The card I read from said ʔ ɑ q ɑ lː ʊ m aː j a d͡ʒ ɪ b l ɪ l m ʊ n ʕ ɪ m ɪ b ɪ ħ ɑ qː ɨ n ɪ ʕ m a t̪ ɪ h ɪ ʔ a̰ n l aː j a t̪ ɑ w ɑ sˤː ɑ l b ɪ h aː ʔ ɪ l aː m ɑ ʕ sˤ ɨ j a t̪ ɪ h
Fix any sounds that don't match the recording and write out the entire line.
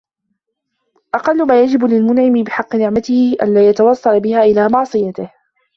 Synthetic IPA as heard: ʔ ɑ q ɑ lː ʊ m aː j a d͡ʒ ɪ b l ɪ l m ʊ n ʕ ɪ m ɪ b ɪ ħ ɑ qː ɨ n ɪ ʕ m a t̪ ɪ h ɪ ʔ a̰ n l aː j a t̪ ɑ w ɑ sˤː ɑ l b ɪ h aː ʔ ɪ l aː m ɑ ʕ sˤ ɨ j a t̪ ɪ h